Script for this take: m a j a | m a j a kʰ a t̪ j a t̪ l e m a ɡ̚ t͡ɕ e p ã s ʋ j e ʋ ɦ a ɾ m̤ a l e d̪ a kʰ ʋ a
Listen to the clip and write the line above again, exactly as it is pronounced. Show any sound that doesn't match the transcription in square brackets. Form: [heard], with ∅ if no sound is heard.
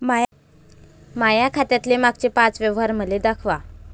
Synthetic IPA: m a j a | m a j a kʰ a t̪ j a t̪ l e m a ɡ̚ t͡ɕ e p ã [t͡s] ʋ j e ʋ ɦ a ɾ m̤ [ə] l e d̪ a kʰ ʋ a